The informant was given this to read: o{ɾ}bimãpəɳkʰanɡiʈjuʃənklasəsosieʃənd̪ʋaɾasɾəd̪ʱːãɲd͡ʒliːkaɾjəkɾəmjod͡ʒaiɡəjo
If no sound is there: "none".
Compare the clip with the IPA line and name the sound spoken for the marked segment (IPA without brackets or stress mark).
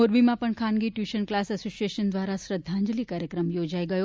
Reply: ɾ